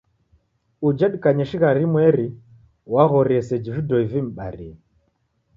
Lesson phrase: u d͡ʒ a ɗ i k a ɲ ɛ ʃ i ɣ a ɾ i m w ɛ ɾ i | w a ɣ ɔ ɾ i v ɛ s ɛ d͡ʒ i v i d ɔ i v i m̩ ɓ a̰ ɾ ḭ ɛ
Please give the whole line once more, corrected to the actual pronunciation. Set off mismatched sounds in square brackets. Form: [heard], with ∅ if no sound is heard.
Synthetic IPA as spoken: u d͡ʒ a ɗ i k a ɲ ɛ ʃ i ɣ a ɾ i m w ɛ ɾ i | w a ɣ ɔ ɾ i [∅] ɛ s ɛ d͡ʒ i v i d ɔ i v i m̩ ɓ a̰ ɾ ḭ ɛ